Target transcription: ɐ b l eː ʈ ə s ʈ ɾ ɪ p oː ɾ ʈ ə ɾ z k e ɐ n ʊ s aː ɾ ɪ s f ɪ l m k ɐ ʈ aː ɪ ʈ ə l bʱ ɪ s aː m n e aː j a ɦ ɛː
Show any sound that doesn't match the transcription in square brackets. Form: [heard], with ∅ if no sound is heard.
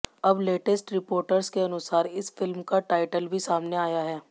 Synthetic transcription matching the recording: ɐ b l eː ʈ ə s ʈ ɾ ɪ p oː ɾ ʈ ə ɾ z k e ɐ n ʊ s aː ɾ ɪ s f ɪ l m k [a] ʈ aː ɪ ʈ ə l bʱ [i] s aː m n e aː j a ɦ ɛː